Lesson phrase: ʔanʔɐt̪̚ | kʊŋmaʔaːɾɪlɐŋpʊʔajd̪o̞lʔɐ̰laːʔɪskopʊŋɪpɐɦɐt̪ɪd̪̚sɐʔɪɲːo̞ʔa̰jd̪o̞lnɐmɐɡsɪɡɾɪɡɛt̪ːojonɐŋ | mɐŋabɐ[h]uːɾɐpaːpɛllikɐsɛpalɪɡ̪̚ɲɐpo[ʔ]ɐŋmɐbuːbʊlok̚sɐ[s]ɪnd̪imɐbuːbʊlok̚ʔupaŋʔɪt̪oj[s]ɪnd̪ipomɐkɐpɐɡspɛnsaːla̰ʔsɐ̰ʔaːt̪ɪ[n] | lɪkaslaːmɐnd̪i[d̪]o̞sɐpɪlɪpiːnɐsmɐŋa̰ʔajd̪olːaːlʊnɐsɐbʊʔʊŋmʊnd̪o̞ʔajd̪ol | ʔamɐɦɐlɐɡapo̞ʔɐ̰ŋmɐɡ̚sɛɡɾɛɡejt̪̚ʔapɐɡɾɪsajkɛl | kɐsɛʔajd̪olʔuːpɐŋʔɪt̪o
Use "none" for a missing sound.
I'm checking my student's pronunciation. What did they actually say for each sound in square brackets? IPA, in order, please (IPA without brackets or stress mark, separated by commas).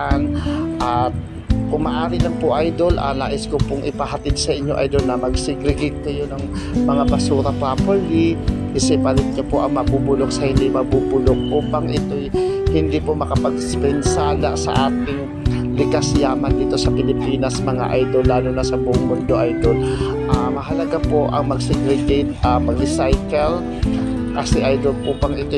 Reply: s, ʔ, h, h, ŋ, t̪